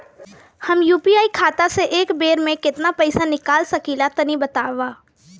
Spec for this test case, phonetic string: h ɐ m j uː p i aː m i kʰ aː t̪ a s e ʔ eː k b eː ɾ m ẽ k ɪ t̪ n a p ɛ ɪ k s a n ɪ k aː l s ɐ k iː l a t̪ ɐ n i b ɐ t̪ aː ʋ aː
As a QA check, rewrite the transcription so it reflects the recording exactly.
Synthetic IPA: h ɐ m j uː p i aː i kʰ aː t̪ a s e ʔ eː k b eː ɾ m ẽ k ɪ t̪ n a p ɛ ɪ s a n ɪ k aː l s ɐ k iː l a t̪ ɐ n i b ɐ t̪ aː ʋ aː